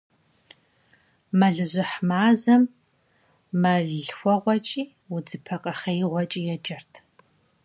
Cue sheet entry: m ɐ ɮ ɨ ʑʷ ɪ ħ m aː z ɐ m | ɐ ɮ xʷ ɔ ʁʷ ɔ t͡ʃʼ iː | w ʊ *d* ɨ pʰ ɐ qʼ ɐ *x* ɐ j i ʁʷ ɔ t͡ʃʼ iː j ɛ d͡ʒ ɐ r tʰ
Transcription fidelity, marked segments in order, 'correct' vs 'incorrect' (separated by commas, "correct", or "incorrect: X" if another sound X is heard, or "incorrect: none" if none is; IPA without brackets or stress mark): incorrect: d͡z, incorrect: χ